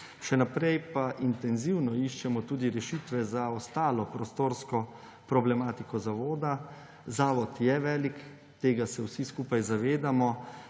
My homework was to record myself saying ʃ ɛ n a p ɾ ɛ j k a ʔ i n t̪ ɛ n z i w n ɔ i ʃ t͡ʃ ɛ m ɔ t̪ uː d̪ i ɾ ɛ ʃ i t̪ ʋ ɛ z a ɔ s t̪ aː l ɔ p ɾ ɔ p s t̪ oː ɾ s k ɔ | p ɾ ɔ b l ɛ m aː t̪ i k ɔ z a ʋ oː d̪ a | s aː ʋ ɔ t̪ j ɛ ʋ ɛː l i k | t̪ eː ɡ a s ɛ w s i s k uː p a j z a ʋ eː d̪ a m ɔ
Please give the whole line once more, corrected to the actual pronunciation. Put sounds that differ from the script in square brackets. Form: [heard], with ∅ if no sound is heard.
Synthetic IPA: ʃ ɛ n a p ɾ ɛ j [p] a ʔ i n t̪ ɛ n z i w n ɔ i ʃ t͡ʃ ɛ m ɔ t̪ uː d̪ i ɾ ɛ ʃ i t̪ ʋ ɛ z a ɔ s t̪ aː l ɔ p ɾ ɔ [∅] s t̪ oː ɾ s k ɔ | p ɾ ɔ b l ɛ m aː t̪ i k ɔ z a ʋ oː d̪ a | [z] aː ʋ ɔ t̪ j ɛ ʋ ɛː l i k | t̪ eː ɡ a s ɛ w s i s k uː p a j z a ʋ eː d̪ a m ɔ

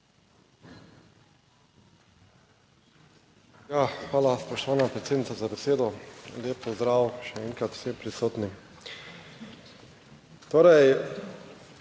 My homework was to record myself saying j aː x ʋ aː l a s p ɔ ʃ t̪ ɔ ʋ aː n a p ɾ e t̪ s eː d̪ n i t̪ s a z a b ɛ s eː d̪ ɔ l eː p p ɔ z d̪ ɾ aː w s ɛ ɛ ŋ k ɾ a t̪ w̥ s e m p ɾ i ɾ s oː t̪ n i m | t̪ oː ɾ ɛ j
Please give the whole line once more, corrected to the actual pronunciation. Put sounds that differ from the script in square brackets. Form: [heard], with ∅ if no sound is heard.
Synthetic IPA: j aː x ʋ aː l a s p ɔ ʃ t̪ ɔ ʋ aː n a p ɾ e t̪ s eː d̪ n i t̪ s a z a b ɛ s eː d̪ ɔ l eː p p ɔ z d̪ ɾ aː w [ʃ] ɛ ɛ ŋ k ɾ a t̪ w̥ s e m p ɾ i [∅] s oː t̪ n i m | t̪ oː ɾ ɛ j

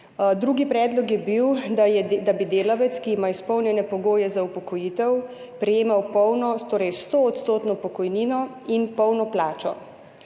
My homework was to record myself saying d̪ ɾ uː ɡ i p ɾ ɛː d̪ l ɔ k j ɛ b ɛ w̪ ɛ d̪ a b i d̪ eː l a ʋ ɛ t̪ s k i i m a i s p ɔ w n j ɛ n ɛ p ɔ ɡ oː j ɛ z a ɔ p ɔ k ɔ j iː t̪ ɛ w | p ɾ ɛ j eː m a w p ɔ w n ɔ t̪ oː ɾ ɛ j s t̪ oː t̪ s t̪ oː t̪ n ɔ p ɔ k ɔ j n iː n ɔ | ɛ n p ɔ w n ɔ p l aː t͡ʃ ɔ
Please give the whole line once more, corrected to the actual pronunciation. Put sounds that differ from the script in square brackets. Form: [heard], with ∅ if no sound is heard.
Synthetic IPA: d̪ ɾ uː ɡ i p ɾ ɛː d̪ l ɔ k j ɛ b [i] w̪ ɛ d̪ a b i d̪ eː l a ʋ ɛ t̪ s k i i m a i s p ɔ w n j ɛ n ɛ p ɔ ɡ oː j ɛ z a [u] p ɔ k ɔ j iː t̪ ɛ w | p ɾ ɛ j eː m a w p ɔ w n ɔ t̪ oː ɾ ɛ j s t̪ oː t̪ s t̪ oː t̪ n ɔ p ɔ k ɔ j n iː n ɔ | [i] n p ɔ w n ɔ p l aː t͡ʃ ɔ

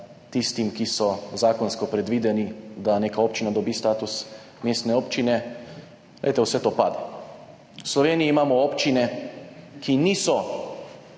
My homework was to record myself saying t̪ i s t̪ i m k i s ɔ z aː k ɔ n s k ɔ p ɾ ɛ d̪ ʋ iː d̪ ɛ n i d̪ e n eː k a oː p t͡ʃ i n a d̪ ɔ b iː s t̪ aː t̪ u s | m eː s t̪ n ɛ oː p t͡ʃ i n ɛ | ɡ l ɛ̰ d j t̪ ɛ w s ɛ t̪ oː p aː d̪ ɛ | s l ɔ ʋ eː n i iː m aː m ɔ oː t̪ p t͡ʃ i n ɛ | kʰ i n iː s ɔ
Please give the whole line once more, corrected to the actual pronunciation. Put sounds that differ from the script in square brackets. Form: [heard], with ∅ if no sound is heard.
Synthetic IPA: t̪ i s t̪ i m k i s ɔ z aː k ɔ n s k ɔ p ɾ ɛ d̪ ʋ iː d̪ ɛ n i d̪ [a] n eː k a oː p t͡ʃ i n a d̪ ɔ b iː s t̪ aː t̪ u s | m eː s t̪ n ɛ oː p t͡ʃ i n ɛ | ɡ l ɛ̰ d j t̪ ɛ w s ɛ t̪ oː p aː d̪ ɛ | s l ɔ ʋ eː n i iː m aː m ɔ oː [∅] p t͡ʃ i n ɛ | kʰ i n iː s ɔ

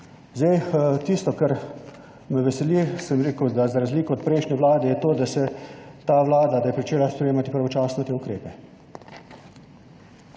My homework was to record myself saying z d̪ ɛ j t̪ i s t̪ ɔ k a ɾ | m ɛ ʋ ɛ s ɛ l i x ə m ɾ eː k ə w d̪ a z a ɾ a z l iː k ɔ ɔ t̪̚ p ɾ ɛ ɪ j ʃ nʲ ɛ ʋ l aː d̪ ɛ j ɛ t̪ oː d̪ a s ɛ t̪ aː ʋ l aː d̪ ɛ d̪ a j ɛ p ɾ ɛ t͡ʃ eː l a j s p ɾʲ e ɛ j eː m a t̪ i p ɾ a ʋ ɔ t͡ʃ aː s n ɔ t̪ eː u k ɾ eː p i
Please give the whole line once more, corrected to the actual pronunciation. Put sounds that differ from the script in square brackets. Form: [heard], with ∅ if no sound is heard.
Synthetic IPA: z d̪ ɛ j t̪ i s t̪ ɔ k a ɾ | m ɛ ʋ ɛ s ɛ l i [s] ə m ɾ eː k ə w d̪ a z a ɾ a z l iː k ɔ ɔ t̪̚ p ɾ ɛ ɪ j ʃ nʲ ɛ ʋ l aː d̪ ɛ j ɛ t̪ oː d̪ a s ɛ t̪ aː ʋ l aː d̪ [a] d̪ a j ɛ p ɾ [i] t͡ʃ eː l a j s p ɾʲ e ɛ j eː m a t̪ i p ɾ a ʋ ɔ t͡ʃ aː s n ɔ t̪ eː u k ɾ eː p [ɛ]

